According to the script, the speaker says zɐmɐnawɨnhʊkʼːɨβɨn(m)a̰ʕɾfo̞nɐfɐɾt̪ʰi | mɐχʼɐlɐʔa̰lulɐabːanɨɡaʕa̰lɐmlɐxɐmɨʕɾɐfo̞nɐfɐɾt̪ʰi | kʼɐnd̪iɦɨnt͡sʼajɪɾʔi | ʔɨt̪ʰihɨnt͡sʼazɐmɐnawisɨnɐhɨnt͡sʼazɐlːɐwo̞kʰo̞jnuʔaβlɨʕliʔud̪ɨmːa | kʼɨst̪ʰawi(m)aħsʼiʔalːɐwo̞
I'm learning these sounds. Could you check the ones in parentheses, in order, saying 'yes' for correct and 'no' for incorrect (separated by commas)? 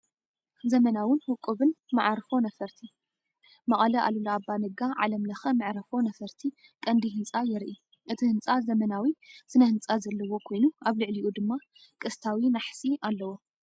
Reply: yes, no